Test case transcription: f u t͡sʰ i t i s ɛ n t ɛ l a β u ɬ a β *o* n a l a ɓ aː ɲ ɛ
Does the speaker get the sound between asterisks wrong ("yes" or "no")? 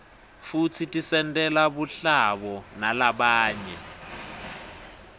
yes